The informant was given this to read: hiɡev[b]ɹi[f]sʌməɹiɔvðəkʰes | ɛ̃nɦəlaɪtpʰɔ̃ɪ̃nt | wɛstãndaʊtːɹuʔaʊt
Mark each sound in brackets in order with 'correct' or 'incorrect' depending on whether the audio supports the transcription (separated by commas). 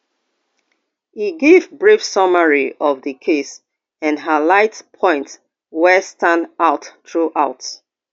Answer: correct, correct